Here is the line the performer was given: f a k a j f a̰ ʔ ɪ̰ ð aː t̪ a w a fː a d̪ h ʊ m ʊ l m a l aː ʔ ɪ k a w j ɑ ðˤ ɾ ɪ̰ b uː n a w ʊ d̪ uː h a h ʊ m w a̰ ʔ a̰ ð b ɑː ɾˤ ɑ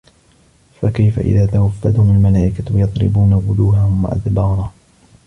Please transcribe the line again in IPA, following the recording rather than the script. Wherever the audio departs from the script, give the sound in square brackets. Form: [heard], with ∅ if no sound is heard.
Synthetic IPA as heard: f a k a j f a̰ ʔ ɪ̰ ð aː t̪ a w a fː a d̪ h ʊ m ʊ l m a l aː ʔ ɪ k a w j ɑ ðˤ ɾ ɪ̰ b uː n a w ʊ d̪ uː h a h ʊ m w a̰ ʔ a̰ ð b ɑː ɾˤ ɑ